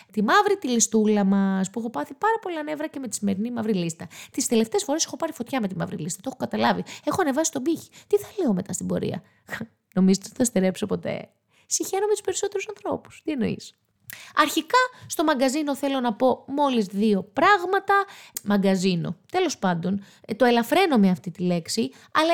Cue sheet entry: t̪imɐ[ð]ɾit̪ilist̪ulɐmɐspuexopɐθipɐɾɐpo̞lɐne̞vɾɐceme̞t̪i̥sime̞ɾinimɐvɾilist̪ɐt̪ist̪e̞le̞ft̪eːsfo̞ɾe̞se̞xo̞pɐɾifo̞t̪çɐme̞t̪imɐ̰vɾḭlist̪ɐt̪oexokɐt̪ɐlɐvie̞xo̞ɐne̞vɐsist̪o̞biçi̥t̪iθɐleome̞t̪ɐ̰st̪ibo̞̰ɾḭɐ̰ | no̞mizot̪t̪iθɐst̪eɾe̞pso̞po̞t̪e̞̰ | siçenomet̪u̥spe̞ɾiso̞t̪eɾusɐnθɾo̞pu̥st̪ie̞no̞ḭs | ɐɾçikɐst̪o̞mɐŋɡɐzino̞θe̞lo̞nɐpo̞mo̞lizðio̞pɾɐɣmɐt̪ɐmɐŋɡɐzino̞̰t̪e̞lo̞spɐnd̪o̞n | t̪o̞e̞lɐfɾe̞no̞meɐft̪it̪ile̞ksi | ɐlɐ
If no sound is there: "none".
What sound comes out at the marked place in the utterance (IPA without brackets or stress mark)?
v